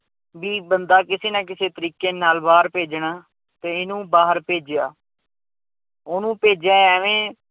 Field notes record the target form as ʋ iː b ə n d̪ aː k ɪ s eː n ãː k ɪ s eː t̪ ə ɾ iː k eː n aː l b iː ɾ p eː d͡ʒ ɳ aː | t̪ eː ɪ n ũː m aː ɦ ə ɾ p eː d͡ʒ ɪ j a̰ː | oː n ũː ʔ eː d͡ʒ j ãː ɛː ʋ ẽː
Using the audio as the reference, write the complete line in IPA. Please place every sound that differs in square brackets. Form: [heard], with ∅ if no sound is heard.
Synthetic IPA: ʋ iː b ə n d̪ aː k ɪ s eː n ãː k ɪ s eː t̪ ə ɾ iː k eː n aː l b [aː] ɾ p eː d͡ʒ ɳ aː | t̪ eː ɪ n ũː [b] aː ɦ ə ɾ p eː d͡ʒ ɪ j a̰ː | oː n ũː [p] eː d͡ʒ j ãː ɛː ʋ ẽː